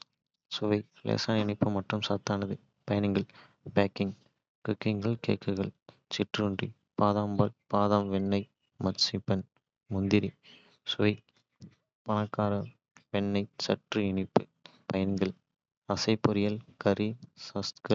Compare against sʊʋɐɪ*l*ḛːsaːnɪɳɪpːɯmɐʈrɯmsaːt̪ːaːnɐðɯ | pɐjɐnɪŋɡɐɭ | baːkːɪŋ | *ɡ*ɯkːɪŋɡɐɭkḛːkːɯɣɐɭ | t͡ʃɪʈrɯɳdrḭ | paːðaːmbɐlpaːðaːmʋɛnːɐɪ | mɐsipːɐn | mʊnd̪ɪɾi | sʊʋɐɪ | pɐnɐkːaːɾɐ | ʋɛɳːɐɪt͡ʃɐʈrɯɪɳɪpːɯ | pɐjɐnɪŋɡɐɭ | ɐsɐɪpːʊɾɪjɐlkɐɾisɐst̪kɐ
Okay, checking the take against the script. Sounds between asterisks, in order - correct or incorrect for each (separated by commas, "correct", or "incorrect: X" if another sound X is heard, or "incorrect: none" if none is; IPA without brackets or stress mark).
correct, incorrect: k